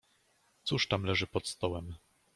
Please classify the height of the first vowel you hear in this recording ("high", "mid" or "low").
high